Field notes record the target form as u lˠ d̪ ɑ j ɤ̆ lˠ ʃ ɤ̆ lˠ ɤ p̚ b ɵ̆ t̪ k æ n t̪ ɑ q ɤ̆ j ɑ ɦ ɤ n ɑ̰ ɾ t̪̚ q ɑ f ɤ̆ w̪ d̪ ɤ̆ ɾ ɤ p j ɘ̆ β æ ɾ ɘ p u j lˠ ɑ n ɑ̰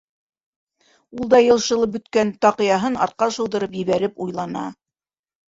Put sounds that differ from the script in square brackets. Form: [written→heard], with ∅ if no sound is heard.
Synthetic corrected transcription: u lˠ d̪ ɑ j ɤ̆ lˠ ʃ ɤ̆ lˠ ɤ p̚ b ɵ̆ t̪ k æ n t̪ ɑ q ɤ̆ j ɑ ɦ ɤ n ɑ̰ ɾ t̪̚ q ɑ [f→ʃ] ɤ̆ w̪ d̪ ɤ̆ ɾ ɤ p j ɘ̆ β æ ɾ ɘ p u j lˠ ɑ n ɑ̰